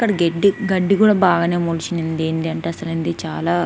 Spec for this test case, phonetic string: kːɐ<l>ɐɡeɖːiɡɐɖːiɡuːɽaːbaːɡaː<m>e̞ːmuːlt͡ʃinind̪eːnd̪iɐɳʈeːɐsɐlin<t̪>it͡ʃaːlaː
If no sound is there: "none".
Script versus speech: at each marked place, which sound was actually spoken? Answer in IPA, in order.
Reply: ɽ, n, d̪

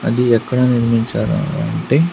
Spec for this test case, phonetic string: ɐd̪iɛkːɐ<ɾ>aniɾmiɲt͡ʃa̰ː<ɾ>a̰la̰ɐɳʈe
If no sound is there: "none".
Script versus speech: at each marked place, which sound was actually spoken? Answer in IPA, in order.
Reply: ɽ, ɾ

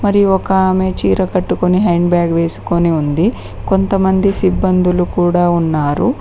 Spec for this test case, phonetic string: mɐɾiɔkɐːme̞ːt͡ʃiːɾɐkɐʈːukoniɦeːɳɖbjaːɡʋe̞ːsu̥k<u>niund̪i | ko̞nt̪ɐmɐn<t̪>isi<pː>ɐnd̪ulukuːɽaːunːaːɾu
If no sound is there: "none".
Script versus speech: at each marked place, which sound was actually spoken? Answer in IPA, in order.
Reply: o, d̪, bː

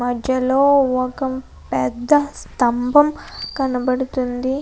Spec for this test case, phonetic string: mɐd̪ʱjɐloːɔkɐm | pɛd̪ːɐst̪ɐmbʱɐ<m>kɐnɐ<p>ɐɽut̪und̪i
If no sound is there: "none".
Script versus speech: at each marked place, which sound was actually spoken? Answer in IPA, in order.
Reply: m, b

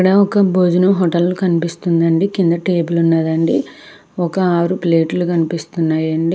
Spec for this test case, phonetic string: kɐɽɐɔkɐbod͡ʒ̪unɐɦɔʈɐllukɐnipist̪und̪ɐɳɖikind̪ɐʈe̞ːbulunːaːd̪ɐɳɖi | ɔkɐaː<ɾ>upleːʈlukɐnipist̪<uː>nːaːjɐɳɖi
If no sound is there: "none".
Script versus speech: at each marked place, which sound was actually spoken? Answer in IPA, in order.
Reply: ɾ, u

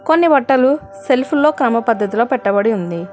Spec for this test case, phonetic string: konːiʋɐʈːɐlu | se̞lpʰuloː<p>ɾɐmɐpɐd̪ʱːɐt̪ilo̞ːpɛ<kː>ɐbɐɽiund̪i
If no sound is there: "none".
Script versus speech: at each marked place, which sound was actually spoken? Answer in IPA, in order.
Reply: k, ʈː

